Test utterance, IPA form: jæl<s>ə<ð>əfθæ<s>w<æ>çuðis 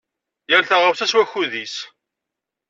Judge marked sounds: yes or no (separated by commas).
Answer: no, no, yes, yes